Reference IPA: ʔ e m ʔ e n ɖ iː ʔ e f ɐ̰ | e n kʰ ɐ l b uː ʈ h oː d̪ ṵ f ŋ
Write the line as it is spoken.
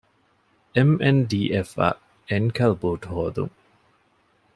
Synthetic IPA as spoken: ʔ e m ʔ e n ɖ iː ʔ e f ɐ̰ | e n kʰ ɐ l b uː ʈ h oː d̪ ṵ ŋ